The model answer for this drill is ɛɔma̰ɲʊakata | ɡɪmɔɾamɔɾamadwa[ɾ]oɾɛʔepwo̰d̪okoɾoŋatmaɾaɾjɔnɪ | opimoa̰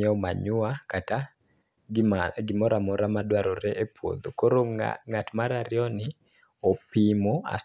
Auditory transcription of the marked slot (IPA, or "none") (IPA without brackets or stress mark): ɾ